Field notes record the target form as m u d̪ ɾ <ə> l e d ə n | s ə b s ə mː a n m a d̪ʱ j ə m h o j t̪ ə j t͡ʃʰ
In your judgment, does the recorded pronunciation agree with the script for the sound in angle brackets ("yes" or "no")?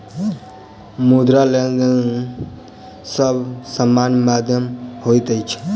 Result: no